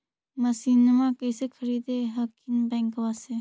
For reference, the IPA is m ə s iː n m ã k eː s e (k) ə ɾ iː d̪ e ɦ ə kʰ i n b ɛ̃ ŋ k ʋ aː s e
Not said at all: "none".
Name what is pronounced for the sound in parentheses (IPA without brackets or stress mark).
kʰ